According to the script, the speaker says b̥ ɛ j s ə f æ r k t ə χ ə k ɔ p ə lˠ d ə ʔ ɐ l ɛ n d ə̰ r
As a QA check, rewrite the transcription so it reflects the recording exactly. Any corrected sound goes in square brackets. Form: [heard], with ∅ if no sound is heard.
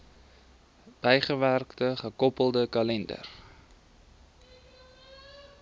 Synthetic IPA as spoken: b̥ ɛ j [χ] ə [v] æ r k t ə χ ə k ɔ p ə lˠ d ə [k] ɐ l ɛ n d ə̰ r